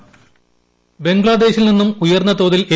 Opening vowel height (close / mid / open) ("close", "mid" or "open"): mid